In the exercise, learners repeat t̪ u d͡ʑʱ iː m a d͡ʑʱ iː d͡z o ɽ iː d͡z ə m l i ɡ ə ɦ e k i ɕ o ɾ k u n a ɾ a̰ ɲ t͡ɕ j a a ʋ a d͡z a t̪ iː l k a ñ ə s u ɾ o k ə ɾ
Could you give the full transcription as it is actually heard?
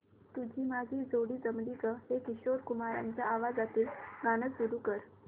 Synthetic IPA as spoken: t̪ u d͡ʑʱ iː m a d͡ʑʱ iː d͡z o ɽ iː d͡z ə m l i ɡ ə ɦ e k i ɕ o ɾ k u m a ɾ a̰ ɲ t͡ɕ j a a ʋ a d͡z a t̪ iː l ɡ a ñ ə s u ɾ u k ə ɾ